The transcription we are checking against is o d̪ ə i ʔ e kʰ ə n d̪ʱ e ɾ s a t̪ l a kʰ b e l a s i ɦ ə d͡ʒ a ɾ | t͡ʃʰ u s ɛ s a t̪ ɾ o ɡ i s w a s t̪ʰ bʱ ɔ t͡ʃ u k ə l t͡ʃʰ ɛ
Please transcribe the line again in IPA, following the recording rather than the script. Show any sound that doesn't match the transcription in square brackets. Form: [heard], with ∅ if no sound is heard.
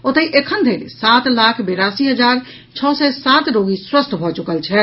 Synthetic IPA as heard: o [t̪] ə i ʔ e kʰ ə n d̪ʱ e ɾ s a t̪ l a kʰ b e [ɾ] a s i ɦ ə d͡ʒ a ɾ | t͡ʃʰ [ɔ] s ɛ s a t̪ ɾ o ɡ i s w [ə] s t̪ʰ bʱ ɔ t͡ʃ u k ə l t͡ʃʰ ɛ